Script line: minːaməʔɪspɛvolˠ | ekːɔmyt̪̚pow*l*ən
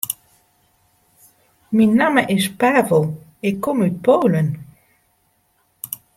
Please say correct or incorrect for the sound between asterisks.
correct